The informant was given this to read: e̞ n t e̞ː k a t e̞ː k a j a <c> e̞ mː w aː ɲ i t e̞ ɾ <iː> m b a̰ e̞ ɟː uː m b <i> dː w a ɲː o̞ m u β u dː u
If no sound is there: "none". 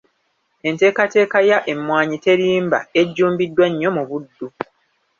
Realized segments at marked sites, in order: ʔ, iː, i

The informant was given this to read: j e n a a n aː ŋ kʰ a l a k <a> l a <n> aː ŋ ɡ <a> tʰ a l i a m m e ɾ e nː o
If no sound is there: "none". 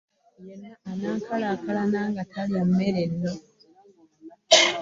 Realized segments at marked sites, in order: a, n, a

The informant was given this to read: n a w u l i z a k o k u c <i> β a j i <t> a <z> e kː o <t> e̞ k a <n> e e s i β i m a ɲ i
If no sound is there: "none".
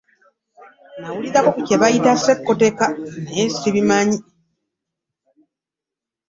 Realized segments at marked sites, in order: e, t, s, t, n

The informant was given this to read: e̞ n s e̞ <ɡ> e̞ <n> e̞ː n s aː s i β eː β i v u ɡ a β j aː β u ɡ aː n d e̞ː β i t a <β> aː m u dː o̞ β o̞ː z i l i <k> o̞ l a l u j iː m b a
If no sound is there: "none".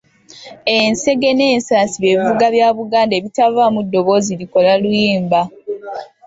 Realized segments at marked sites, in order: ɡ, n, v, k

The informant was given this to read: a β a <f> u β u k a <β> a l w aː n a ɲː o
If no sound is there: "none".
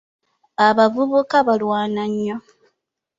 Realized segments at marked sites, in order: v, β

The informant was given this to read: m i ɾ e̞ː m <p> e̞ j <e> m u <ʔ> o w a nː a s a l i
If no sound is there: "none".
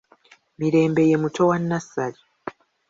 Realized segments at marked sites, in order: b, e, t

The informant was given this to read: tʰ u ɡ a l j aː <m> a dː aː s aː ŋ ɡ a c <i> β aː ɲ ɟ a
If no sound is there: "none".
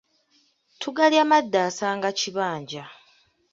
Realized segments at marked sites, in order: m, i

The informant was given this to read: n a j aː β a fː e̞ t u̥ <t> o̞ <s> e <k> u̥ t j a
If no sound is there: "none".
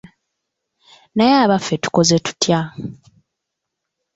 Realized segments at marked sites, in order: k, z, t

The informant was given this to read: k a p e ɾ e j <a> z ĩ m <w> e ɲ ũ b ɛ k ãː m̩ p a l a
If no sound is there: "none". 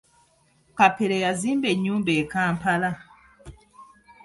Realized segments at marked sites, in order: a, b

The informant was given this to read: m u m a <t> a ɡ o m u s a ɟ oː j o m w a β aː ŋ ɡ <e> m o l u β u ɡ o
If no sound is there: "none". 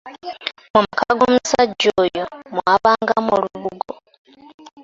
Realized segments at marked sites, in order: k, a

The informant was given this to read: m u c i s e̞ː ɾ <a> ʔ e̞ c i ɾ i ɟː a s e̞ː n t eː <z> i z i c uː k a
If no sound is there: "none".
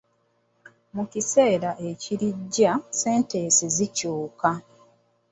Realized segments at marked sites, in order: a, s

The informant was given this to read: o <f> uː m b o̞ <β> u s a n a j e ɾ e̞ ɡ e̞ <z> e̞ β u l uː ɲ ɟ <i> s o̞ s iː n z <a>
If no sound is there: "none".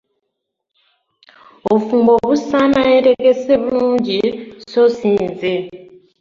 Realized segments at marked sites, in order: f, β, s, i, e

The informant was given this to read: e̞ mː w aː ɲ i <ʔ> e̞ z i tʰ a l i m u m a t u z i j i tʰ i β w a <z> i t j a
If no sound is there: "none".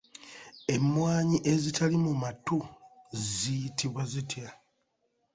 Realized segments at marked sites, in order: ʔ, z

